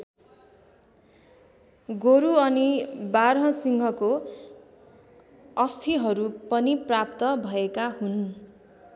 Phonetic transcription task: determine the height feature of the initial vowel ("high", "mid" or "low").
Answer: mid